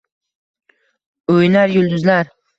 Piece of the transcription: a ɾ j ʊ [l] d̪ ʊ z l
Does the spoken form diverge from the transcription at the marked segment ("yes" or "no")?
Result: no